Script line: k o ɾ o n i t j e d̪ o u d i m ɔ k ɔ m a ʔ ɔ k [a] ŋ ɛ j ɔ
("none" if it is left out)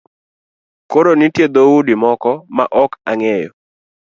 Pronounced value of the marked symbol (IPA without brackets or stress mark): a